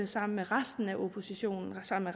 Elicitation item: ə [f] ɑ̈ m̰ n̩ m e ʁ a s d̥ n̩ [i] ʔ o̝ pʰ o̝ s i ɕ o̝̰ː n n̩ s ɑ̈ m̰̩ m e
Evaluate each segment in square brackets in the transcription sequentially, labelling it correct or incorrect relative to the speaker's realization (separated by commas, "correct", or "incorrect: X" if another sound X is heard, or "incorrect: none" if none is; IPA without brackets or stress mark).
incorrect: s, incorrect: æ